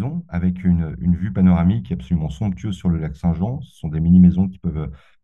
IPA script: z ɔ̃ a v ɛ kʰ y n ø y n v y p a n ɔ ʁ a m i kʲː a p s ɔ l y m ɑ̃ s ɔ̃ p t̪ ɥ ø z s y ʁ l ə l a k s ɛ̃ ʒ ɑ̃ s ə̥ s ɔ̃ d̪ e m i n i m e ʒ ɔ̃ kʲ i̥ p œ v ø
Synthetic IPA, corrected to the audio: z ɔ̃ a v ɛ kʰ y n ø y n v y p a n ɔ ʁ a m i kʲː a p s ɔ l y m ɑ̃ s ɔ̃ p t̪ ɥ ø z s y ʁ l ə l a k s ɛ̃ ʒ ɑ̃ s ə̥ s ɔ̃ d̪ e m i n i m e z ɔ̃ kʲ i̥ p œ v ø